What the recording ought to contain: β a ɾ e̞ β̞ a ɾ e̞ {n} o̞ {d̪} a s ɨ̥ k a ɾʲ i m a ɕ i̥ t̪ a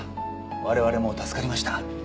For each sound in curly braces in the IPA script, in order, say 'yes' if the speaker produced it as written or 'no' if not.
no, no

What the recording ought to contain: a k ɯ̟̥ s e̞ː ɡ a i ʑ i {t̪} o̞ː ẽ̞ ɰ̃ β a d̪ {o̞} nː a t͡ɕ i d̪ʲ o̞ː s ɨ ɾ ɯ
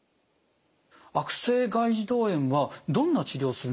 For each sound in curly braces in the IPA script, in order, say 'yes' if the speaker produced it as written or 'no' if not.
no, no

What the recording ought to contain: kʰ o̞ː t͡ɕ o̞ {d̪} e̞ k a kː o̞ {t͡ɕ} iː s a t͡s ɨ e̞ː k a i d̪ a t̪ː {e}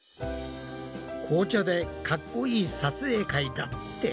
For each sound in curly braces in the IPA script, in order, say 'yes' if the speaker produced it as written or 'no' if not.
yes, no, yes

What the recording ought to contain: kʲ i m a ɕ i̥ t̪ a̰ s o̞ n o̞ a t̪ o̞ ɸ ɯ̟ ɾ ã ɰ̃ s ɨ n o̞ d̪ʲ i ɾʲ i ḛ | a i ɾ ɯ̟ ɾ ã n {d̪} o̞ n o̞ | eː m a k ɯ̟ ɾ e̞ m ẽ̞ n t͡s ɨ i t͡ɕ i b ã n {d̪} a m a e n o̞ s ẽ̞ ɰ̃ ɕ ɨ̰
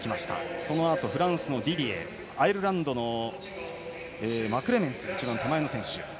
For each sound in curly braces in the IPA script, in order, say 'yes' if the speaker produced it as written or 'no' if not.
yes, no

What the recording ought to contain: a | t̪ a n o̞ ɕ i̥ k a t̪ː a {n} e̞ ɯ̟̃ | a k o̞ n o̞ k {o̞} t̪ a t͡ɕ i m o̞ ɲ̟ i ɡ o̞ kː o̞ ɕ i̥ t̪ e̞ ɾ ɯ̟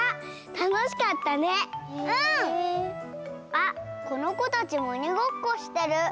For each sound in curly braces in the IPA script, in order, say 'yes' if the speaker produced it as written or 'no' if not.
yes, yes

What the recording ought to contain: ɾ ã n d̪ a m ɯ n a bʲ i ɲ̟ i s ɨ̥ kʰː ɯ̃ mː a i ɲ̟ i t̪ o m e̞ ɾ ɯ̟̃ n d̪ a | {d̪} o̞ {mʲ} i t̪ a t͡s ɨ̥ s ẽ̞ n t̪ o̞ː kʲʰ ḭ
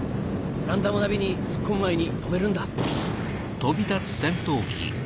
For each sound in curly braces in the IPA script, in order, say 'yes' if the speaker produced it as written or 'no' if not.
no, no

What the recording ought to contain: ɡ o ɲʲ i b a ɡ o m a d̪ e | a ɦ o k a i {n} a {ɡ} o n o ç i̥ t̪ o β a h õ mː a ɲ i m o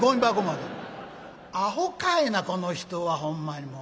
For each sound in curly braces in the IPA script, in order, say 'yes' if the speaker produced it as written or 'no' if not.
yes, no

